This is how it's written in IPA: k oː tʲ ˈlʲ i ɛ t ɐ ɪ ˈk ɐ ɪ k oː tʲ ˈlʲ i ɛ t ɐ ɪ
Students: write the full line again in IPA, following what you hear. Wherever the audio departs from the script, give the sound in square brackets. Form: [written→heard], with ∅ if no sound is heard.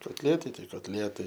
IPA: k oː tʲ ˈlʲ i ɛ t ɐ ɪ [ˈk→ˈt] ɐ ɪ k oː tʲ ˈlʲ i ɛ t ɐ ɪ